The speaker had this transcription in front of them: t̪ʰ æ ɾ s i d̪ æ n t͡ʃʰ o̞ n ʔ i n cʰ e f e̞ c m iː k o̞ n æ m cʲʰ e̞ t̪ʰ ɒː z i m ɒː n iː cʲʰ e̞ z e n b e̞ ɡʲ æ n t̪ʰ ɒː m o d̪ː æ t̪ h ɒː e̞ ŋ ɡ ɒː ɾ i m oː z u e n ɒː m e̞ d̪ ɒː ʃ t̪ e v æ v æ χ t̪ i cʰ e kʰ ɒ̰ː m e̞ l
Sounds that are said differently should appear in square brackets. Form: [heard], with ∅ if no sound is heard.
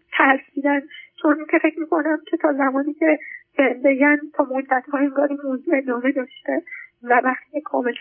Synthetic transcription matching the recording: t̪ʰ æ ɾ s i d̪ æ n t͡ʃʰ o̞ n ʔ i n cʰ e f e̞ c m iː k o̞ n æ m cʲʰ e̞ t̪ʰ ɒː z [æ] m ɒː n iː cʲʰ e̞ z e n b e̞ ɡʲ æ n t̪ʰ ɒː m o d̪ː æ t̪ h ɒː e̞ ŋ ɡ ɒː ɾ i m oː z u e n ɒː m e̞ d̪ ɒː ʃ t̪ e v æ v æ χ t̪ i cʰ e kʰ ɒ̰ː m e̞ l